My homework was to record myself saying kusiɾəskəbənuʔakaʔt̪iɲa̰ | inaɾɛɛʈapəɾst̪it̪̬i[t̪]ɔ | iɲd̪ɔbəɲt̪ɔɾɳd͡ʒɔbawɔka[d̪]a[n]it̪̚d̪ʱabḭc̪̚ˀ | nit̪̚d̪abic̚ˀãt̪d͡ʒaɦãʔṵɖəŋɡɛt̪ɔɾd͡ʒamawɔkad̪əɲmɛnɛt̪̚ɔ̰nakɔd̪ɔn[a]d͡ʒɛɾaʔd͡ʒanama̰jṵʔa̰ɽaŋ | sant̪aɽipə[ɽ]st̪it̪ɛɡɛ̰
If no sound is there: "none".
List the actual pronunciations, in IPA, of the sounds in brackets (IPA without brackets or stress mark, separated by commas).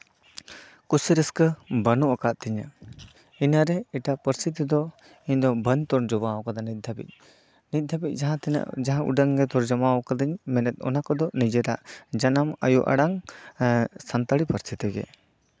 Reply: d̪, d̪, n, i, ɾ